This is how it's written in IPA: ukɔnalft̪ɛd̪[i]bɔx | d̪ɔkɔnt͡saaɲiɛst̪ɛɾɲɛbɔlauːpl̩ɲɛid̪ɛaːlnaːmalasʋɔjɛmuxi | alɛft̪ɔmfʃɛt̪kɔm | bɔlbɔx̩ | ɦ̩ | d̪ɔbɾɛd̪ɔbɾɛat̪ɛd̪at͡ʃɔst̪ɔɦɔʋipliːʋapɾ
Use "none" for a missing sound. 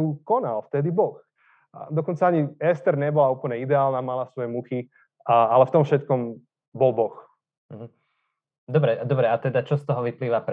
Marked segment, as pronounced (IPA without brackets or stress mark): i